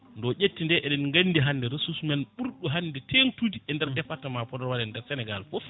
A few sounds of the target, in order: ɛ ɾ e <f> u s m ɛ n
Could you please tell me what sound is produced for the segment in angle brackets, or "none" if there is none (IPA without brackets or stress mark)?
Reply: s